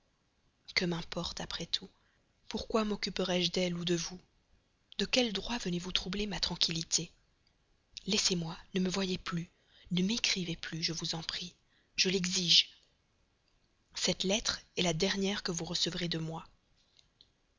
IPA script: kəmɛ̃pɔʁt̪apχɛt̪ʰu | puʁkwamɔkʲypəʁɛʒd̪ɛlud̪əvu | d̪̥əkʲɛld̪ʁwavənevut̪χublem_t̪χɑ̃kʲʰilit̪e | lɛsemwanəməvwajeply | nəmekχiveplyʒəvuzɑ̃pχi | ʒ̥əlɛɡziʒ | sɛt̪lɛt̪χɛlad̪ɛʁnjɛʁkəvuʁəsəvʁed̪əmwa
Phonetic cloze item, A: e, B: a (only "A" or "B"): B